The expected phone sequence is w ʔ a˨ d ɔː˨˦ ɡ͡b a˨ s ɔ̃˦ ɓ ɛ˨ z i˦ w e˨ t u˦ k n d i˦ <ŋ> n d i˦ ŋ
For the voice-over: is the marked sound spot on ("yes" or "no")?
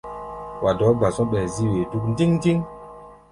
yes